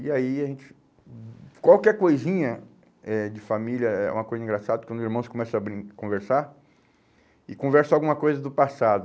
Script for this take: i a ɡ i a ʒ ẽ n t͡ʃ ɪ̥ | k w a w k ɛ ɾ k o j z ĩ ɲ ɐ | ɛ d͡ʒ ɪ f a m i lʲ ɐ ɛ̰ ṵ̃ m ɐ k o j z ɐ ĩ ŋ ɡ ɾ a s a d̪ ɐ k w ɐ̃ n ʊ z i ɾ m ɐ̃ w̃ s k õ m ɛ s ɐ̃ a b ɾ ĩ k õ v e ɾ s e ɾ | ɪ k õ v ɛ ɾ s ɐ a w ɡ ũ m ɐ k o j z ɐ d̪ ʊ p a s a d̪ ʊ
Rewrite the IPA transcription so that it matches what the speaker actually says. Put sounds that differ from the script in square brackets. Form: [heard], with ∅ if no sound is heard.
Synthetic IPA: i a [∅] i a ʒ ẽ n t͡ʃ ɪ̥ | k w a w k ɛ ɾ k o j z ĩ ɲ ɐ | ɛ d͡ʒ ɪ f a m i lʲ ɐ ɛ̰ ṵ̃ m ɐ k o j z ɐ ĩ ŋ ɡ ɾ a s a d̪ ɐ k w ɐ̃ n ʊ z i ɾ m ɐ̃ w̃ s k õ m ɛ s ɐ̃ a b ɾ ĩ k õ v e ɾ s [a] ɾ | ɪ k õ v ɛ ɾ s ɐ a w ɡ ũ m ɐ k o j z ɐ d̪ ʊ p a s a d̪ ʊ